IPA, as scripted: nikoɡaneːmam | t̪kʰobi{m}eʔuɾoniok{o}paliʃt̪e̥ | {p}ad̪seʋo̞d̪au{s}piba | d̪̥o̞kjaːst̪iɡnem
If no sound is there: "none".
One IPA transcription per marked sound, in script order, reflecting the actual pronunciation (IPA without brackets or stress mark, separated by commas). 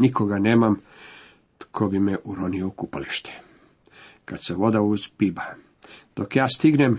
m, u, k, z